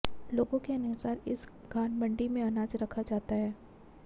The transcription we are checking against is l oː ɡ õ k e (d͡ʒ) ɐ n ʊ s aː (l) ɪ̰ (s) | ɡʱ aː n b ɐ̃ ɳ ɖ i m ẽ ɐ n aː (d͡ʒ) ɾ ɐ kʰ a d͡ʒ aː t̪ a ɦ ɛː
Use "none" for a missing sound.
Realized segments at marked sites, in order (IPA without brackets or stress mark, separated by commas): none, ɾ, s, d͡ʒ